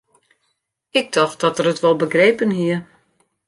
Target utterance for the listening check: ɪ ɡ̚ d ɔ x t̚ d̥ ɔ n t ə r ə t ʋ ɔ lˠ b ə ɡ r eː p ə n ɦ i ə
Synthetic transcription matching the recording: ɪ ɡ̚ d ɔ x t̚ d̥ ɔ t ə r ə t ʋ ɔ lˠ b ə ɡ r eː p ə n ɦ i ə